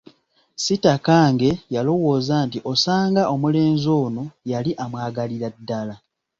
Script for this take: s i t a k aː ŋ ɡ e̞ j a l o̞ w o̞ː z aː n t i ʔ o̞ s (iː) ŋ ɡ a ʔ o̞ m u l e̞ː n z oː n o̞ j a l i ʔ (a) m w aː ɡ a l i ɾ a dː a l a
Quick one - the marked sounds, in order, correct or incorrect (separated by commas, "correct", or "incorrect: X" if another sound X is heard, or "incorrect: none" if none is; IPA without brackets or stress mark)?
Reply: incorrect: aː, correct